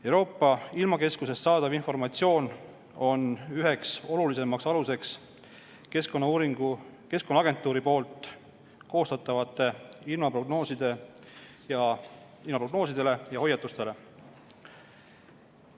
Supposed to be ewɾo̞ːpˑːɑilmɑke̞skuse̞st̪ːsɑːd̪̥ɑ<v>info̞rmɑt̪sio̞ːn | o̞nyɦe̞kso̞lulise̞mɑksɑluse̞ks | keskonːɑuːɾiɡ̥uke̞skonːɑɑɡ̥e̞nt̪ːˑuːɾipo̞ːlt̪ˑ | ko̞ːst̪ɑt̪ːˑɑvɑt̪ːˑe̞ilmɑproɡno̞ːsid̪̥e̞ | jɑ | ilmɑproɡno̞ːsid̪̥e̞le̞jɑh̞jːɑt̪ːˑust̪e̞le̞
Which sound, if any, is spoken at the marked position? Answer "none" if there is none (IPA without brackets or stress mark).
v